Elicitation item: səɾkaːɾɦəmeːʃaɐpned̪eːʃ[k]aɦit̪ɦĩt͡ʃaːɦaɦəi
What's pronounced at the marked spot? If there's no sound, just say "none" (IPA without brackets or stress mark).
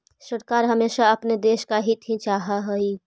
k